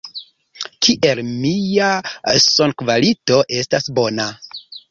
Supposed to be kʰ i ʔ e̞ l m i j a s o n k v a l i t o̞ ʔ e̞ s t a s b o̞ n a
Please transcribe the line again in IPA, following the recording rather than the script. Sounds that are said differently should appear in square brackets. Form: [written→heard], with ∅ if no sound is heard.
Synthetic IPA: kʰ i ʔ e̞ l m i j a s o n k v a l i t o̞ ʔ e̞ s t a s b o̞ n a